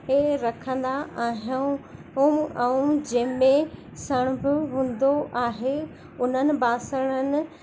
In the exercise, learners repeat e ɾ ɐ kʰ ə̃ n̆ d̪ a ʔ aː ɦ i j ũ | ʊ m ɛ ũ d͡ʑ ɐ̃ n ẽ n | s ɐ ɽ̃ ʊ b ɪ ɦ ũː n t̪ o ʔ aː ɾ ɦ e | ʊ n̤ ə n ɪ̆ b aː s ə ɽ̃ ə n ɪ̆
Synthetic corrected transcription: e ɾ ɐ kʰ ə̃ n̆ d̪ a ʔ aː ɦ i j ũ | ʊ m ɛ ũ d͡ʑ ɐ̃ m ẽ | s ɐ ɽ̃ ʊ b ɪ ɦ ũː n d̪ o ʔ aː ɦ e | ʊ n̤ ə n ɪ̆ b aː s ə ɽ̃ ə n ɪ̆